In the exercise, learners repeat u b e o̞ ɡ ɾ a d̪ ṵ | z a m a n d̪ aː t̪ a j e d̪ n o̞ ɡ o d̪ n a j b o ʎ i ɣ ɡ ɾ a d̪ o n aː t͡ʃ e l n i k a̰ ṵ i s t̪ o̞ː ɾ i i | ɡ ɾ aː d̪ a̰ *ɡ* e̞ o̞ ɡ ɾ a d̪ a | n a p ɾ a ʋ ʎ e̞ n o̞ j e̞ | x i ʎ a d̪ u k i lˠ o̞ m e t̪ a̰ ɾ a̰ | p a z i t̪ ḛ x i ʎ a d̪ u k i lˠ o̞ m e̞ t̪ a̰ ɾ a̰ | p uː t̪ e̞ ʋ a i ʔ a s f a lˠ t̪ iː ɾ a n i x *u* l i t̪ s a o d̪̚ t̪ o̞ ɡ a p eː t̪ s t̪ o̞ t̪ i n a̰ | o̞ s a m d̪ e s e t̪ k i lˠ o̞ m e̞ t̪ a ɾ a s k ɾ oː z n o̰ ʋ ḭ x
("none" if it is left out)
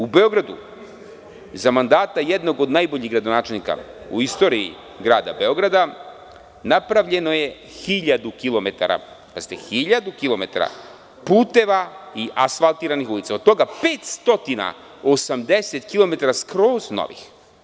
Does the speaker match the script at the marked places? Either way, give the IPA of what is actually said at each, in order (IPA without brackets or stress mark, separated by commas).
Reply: b, u